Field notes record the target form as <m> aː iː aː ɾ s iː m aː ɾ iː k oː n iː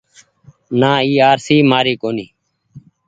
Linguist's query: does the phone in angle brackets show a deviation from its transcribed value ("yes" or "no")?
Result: yes